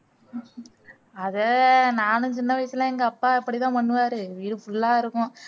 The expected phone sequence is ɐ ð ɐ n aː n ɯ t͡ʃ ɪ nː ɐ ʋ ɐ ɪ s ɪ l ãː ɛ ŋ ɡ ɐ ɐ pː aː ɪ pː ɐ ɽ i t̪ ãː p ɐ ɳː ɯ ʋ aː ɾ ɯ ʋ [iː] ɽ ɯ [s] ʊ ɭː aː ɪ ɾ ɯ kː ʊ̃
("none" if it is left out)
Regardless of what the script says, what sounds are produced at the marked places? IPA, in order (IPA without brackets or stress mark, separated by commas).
iː, f